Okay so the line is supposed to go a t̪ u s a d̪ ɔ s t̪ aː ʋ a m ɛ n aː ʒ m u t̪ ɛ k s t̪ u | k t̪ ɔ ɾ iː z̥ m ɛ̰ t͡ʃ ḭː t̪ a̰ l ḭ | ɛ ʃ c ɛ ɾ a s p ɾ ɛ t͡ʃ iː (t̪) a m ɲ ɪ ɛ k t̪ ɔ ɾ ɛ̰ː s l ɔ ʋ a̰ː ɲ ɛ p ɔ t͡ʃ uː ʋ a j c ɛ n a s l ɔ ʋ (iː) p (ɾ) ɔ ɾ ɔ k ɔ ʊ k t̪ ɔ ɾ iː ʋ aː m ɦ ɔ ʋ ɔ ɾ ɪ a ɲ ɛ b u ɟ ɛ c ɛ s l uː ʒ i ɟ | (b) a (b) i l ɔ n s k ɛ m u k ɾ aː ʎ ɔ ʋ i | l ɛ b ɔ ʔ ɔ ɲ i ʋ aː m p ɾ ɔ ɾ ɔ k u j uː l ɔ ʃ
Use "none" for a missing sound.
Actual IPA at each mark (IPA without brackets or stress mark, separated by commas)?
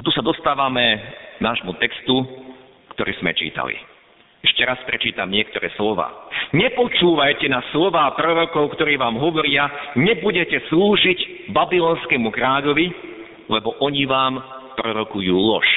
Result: t̪, aː, ɾ, b, b